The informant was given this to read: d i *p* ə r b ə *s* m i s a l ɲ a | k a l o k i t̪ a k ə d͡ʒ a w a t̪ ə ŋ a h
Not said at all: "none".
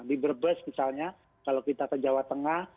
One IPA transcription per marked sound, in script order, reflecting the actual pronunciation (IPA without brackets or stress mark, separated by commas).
b, s